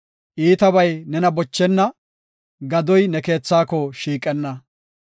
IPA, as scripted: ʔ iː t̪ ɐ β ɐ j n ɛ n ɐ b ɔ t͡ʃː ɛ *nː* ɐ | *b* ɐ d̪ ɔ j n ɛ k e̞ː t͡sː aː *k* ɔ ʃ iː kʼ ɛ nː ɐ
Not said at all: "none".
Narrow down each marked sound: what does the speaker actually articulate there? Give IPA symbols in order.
nː, ɡ, k

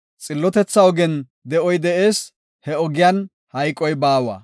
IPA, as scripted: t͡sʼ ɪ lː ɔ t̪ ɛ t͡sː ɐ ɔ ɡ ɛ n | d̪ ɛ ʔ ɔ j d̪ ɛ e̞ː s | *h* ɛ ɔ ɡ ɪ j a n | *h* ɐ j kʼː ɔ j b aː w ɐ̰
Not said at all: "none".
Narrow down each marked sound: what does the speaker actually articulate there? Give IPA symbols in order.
h, h

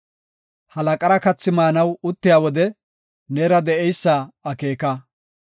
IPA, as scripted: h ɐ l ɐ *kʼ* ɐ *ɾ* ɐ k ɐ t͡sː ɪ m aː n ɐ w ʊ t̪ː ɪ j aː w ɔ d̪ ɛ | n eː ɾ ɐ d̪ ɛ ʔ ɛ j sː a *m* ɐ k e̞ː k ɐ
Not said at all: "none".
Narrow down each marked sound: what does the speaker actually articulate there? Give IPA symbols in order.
kʼ, ɾ, none

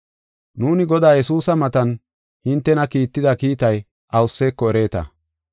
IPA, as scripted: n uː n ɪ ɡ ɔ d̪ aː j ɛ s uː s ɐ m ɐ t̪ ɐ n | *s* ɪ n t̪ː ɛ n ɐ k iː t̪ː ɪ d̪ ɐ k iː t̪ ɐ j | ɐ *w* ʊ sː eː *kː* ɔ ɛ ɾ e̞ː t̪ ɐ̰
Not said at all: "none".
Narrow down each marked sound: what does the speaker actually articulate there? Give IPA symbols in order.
h, w, kː

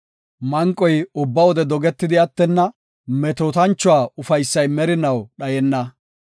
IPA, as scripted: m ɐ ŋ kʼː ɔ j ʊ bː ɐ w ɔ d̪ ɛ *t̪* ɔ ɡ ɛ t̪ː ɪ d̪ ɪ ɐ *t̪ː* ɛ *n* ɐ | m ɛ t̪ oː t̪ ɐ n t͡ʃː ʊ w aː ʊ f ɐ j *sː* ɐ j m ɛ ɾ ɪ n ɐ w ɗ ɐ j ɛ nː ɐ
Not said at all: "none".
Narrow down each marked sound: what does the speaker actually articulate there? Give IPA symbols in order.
d̪, t̪ː, nː, sː

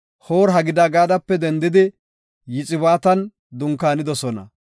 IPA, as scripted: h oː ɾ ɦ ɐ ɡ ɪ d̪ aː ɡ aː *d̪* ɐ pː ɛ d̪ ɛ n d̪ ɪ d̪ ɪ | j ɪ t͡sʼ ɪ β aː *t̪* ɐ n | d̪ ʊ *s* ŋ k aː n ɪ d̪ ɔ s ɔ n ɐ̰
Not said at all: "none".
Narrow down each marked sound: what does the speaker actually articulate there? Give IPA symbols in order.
d̪, t̪, none

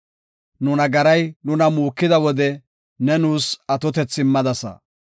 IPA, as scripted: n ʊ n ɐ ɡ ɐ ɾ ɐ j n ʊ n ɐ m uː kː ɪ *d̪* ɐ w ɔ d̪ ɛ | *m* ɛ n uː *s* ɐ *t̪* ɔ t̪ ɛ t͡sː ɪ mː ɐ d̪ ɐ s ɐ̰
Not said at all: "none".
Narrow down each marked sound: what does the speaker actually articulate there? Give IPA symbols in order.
d̪, n, s, t̪

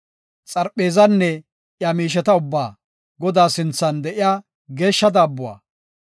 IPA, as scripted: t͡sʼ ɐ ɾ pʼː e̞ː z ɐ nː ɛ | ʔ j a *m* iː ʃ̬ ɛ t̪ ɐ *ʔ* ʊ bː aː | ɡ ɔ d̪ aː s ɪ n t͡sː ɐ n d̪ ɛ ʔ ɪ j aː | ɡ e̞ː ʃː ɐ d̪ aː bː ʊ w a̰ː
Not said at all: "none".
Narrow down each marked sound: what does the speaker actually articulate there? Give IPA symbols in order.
m, none

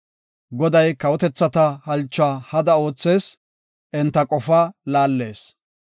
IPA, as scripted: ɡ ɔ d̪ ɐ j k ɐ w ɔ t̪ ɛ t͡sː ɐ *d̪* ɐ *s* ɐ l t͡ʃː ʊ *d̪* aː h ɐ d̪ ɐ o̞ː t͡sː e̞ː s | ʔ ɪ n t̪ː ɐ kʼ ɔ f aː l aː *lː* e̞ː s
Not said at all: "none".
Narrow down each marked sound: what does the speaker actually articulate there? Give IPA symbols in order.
t̪, h, none, lː

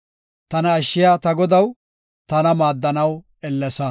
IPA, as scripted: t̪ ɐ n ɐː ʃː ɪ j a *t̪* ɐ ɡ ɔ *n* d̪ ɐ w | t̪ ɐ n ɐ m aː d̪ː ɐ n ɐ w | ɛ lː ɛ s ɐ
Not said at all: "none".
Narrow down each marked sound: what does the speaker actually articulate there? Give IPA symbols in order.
t̪, none

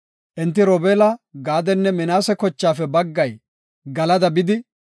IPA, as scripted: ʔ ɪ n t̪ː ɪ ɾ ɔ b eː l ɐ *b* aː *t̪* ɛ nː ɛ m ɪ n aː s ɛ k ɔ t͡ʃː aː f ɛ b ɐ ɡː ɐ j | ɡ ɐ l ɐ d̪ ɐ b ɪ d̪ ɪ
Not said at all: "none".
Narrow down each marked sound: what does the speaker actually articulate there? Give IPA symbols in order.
ɡ, d̪

